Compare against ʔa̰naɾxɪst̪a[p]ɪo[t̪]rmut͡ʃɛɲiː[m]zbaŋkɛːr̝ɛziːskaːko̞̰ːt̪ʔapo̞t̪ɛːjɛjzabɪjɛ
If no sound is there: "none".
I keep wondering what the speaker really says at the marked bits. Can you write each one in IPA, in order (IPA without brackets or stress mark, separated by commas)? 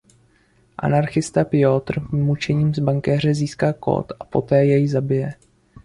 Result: p, t̪, m